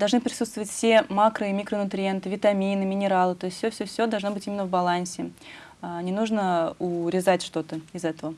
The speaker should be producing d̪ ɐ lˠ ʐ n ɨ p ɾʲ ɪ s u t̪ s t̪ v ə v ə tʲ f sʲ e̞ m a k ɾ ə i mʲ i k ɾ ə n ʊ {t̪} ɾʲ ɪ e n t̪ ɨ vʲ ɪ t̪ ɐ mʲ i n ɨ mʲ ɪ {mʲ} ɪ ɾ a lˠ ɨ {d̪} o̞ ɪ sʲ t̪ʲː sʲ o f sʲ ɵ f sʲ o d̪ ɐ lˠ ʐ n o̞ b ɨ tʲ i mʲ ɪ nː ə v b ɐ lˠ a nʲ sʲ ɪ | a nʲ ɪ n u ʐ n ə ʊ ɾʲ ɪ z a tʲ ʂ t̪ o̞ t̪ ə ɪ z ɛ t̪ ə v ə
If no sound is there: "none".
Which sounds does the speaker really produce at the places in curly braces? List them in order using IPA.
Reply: t̪, nʲ, t̪

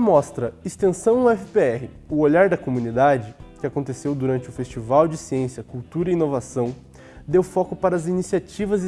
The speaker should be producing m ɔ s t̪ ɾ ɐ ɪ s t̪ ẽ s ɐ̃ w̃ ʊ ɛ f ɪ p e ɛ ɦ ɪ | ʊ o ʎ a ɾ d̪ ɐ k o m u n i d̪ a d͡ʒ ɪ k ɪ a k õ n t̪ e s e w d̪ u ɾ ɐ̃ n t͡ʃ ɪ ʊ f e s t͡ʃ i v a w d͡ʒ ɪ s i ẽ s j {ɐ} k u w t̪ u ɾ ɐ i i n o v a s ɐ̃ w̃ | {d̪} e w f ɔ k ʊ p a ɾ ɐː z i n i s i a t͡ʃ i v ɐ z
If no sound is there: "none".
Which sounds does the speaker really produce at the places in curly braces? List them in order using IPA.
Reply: ɐ, d̪

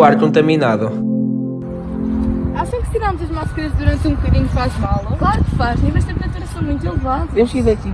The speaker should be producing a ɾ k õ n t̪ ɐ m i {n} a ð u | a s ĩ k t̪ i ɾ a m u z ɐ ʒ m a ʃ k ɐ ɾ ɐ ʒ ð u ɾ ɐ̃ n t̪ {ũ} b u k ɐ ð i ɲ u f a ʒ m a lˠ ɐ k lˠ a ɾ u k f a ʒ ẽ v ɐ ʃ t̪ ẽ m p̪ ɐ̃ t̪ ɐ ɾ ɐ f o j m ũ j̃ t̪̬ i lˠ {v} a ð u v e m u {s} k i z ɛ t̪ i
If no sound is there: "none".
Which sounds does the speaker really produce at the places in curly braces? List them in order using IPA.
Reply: n, ũ, v, ʃ

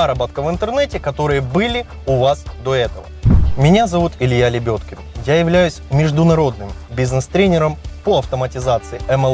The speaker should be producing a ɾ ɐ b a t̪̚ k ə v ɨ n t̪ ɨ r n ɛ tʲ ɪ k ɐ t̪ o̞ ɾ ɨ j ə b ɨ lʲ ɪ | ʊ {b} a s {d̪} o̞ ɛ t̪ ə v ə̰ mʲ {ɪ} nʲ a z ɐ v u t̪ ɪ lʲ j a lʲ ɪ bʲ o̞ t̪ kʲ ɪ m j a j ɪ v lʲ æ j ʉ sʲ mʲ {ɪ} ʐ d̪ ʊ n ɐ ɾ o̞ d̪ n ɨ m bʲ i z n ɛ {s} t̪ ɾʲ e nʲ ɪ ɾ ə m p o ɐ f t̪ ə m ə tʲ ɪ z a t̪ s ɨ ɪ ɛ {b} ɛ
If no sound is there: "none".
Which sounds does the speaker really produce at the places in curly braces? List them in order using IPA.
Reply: v, d̪, ɪ, ɪ, s, m

